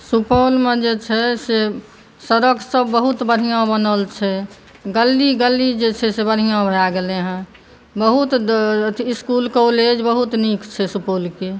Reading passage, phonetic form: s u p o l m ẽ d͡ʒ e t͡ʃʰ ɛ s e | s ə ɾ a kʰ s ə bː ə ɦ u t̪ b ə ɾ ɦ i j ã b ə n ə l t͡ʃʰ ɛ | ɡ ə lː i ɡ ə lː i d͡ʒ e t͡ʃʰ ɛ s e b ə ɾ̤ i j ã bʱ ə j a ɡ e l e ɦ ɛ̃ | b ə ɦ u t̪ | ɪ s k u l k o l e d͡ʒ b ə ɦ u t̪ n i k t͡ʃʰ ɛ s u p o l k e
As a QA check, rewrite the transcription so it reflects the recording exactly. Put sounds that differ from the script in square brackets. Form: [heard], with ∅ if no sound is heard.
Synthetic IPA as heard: s u p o l m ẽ d͡ʒ e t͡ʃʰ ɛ s e | s ə ɾ [ə] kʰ s ə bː ə ɦ u t̪ b ə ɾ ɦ i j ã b ə n ə l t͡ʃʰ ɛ | ɡ ə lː i ɡ ə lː i d͡ʒ e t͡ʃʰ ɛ s e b ə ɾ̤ i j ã bʱ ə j a ɡ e l e ɦ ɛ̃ | b ə ɦ u t̪ | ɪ s k u l k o l e d͡ʒ b ə ɦ u t̪ n i k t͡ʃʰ ɛ s u p o l k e